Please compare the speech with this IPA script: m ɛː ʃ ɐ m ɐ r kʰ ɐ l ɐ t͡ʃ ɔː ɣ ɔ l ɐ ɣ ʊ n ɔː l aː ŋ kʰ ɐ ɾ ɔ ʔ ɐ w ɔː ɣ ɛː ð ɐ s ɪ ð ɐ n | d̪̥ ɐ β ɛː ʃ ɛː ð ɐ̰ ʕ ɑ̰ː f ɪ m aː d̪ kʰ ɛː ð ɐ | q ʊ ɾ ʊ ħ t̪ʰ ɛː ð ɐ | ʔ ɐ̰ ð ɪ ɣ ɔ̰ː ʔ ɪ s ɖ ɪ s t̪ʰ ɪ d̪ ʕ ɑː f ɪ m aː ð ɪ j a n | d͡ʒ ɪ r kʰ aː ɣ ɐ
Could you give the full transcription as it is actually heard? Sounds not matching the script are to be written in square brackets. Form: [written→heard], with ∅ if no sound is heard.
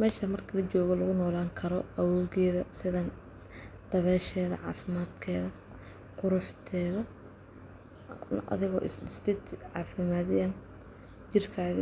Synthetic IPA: m ɛː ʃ ɐ m ɐ r kʰ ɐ l ɐ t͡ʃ ɔː ɣ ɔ l ɐ ɣ ʊ n ɔː l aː ŋ kʰ ɐ ɾ ɔ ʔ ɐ w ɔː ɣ ɛː ð ɐ s ɪ ð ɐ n | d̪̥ ɐ β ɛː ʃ ɛː ð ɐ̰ ʕ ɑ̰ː f ɪ m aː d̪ kʰ ɛː ð ɐ | q ʊ ɾ ʊ ħ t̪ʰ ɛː ð ɐ | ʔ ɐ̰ ð ɪ ɣ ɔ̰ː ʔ ɪ s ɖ ɪ s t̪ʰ ɪ d̪ ʕ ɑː f ɪ m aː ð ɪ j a n | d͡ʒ ɪ r kʰ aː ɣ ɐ